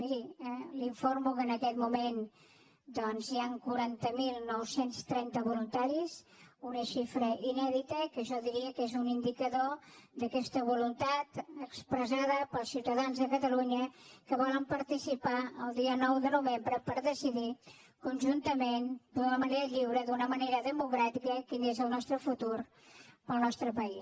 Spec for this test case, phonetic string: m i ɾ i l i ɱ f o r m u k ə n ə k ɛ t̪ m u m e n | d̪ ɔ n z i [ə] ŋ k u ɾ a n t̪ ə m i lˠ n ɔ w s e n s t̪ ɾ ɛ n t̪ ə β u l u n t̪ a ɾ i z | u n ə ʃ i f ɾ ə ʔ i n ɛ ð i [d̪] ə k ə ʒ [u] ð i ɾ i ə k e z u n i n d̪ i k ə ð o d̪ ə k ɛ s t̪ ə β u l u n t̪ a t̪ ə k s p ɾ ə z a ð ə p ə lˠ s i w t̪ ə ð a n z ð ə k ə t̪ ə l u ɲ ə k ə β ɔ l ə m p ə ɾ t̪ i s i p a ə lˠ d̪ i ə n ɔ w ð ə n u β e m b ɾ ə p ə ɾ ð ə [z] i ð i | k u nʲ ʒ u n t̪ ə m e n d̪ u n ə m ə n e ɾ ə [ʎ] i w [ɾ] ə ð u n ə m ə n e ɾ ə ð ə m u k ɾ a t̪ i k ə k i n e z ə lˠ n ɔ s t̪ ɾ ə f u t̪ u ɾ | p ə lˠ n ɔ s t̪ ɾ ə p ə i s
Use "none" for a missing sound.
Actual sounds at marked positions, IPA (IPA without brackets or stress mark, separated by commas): a, t̪, ɔ, s, ʎ, ɾ